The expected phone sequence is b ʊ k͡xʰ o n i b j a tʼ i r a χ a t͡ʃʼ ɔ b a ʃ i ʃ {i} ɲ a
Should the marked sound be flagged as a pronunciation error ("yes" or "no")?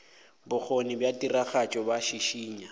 yes